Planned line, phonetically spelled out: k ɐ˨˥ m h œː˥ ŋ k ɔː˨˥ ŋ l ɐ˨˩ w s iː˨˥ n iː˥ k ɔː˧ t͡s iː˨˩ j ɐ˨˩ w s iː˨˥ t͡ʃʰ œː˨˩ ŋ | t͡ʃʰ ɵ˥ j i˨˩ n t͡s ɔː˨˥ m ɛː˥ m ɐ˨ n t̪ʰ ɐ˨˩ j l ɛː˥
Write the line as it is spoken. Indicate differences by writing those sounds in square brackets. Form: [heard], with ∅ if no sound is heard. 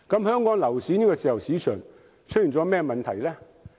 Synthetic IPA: k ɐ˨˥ m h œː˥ ŋ k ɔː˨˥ ŋ l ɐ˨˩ w s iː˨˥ n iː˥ k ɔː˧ t͡s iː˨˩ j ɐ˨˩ w s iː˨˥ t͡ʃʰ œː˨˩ ŋ | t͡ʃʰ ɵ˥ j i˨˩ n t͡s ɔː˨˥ m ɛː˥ m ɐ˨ n t̪ʰ ɐ˨˩ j l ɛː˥

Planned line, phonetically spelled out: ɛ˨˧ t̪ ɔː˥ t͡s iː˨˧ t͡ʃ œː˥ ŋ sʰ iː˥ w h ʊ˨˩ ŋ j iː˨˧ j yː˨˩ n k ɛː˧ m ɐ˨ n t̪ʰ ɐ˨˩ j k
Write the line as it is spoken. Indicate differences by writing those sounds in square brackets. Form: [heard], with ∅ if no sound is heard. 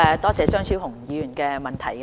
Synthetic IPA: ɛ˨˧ t̪ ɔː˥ t͡s [ɛː˨˧] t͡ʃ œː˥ ŋ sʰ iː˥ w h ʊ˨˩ ŋ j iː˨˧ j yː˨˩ n k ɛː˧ m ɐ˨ n t̪ʰ ɐ˨˩ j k

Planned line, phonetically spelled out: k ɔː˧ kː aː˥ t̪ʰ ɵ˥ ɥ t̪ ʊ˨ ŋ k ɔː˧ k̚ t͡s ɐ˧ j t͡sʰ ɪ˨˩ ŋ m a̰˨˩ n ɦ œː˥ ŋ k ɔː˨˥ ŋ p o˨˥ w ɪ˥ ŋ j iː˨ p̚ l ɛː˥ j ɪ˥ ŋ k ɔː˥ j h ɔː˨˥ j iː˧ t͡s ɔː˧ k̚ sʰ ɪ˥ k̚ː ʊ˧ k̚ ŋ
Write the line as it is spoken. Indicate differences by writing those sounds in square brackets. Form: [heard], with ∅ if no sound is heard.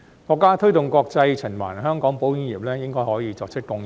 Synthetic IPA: k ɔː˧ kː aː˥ t̪ʰ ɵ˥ ɥ t̪ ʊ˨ ŋ k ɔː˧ k̚ t͡s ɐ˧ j t͡sʰ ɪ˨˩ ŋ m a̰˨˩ n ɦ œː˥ ŋ k ɔː˨˥ ŋ p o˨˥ w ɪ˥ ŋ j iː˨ p̚ l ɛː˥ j ɪ˥ ŋ k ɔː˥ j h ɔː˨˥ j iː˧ t͡s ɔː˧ k̚ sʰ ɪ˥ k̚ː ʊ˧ [∅] ŋ

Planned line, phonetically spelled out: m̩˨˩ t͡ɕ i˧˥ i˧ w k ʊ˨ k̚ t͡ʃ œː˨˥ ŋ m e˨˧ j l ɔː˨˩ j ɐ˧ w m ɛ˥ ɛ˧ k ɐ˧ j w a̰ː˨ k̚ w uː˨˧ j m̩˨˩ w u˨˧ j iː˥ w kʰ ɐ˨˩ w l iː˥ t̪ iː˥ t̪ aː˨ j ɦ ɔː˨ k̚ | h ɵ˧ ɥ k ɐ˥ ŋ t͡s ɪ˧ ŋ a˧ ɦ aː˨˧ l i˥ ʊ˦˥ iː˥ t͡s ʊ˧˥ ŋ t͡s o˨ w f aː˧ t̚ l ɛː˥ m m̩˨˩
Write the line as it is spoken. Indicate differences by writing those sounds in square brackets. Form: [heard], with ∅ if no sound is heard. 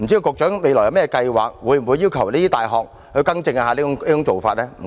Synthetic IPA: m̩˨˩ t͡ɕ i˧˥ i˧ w k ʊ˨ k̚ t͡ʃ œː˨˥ ŋ m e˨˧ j l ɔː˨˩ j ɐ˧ w m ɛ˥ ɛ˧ k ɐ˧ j w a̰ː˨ k̚ w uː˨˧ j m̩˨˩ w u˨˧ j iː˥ w kʰ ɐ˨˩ w l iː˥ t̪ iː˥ t̪ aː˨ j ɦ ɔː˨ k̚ | h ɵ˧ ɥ k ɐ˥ ŋ t͡s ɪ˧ ŋ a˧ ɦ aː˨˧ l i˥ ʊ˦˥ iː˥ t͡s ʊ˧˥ ŋ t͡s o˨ w f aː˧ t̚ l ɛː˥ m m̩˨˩

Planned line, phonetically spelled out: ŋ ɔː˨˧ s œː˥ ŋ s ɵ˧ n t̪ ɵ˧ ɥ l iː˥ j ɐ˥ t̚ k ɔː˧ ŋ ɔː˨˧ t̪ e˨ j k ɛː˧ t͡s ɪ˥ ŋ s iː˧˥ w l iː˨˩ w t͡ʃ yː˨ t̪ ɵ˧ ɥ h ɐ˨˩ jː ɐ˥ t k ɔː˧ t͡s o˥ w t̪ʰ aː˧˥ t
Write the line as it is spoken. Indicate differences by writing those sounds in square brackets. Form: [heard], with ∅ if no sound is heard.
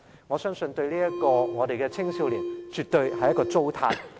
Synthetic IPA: ŋ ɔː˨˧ s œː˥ ŋ s ɵ˧ n t̪ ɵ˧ ɥ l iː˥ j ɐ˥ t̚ k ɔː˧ ŋ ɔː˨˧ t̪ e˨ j k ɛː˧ [t͡sʰ] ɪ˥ ŋ s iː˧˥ w l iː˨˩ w t͡ʃ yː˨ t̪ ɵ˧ ɥ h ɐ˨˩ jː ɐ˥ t k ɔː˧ t͡s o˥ w t̪ʰ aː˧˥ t

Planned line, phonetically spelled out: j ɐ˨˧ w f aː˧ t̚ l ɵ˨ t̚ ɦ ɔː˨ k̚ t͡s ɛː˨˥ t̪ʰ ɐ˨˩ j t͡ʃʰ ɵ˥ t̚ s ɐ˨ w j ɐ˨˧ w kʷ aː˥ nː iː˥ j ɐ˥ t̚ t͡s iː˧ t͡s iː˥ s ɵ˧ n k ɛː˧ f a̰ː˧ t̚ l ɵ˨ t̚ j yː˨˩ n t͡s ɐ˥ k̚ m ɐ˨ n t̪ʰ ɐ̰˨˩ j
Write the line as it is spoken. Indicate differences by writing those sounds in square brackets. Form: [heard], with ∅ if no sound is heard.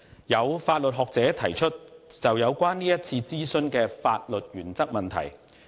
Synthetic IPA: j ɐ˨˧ w f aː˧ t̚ l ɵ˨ t̚ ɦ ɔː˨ k̚ t͡s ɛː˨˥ t̪ʰ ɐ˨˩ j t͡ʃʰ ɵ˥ t̚ [t͡s] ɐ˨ w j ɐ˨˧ w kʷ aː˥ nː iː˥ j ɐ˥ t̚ [t͡sʰ] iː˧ t͡s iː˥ s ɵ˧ n k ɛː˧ f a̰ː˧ t̚ l ɵ˨ t̚ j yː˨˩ n t͡s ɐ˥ k̚ m ɐ˨ n t̪ʰ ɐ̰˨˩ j

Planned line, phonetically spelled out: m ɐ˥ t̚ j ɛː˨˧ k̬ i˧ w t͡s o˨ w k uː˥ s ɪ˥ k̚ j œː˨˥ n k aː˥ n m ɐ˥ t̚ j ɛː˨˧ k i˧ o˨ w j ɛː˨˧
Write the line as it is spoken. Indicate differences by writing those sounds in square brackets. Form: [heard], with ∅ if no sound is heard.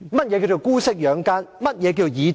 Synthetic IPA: m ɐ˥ t̚ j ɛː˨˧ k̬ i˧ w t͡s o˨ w k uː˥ s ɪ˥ k̚ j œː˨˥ [ŋ] k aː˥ n m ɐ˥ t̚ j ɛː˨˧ k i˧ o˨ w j [iː˨˧]

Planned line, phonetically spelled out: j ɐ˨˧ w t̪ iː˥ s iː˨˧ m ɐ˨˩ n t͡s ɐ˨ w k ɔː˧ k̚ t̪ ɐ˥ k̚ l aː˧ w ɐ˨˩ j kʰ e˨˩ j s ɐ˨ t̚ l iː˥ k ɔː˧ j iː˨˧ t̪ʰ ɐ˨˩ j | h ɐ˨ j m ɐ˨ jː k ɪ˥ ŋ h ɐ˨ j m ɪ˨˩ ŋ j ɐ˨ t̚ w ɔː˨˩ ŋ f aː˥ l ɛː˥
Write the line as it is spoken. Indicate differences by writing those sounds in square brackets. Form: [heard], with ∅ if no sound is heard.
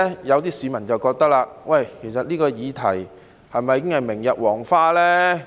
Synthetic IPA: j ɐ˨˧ w t̪ iː˥ s iː˨˧ m ɐ˨˩ n t͡s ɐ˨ w k ɔː˧ k̚ t̪ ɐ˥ k̚ l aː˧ w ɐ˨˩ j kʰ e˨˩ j s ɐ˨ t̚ l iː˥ k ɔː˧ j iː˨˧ t̪ʰ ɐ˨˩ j | h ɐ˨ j m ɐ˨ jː k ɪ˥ ŋ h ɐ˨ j m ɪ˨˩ ŋ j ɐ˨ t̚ w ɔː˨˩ ŋ f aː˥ l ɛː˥

